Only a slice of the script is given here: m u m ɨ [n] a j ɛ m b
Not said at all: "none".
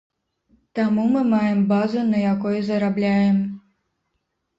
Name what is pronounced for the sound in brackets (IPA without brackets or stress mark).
m